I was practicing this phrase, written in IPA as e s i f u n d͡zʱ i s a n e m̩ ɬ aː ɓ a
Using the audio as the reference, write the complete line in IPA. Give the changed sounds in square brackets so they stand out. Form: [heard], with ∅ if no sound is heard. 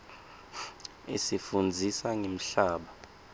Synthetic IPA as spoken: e s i f u n d͡zʱ i s a [ŋ] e m̩ ɬ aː ɓ a